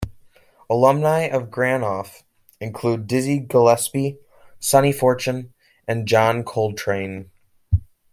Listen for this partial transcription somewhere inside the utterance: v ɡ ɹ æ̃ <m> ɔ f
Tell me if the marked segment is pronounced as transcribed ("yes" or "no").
no